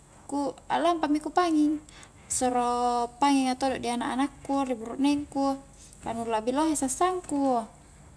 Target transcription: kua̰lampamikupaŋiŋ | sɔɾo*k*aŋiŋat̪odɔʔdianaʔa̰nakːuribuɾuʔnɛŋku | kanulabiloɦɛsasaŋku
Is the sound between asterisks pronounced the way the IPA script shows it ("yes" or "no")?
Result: no